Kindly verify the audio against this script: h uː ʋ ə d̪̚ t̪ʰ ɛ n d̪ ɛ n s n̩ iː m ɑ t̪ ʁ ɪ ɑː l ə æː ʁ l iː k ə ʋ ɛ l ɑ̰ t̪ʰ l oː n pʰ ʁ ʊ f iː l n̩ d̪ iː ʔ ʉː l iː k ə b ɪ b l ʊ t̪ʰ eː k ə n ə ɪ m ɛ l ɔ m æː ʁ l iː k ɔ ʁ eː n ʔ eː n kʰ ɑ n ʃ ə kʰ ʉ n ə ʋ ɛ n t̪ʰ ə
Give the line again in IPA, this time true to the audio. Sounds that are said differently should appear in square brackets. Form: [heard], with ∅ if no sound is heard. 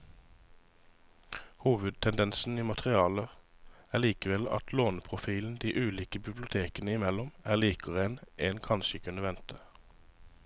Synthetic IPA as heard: h uː ʋ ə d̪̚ t̪ʰ ɛ n d̪ ɛ n s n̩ iː m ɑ t̪ ʁ ɪ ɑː l ə æː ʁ l iː k ə ʋ ɛ l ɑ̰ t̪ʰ l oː n pʰ ʁ ʊ f iː l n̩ d̪ iː ʔ ʉː l iː k ə b ɪ b l ʊ t̪ʰ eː k ə n ə ɪ m ɛ l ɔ m æː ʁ l iː k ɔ ʁ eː n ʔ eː n kʰ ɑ n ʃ ə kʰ ʉ n ə ʋ ɛ n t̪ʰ ə